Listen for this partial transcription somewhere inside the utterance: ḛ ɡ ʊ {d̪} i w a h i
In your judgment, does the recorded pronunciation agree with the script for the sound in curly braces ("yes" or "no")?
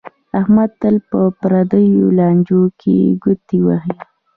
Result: no